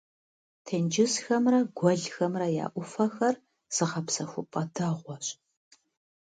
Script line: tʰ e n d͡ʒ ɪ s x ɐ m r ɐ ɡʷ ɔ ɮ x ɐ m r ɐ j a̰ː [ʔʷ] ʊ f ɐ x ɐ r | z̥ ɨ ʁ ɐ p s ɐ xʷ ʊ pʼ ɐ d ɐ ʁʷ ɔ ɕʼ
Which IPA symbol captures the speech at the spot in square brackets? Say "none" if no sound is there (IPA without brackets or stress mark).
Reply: ʔʷ